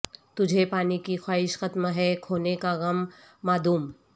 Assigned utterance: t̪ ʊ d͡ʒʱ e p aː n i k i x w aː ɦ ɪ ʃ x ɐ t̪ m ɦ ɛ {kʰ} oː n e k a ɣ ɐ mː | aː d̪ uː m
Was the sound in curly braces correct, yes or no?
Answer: yes